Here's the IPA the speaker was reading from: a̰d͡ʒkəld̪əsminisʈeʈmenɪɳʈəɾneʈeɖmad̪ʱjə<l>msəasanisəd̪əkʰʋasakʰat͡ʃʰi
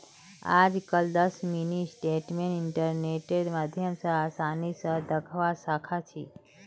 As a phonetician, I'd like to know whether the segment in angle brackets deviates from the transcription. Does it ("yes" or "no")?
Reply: yes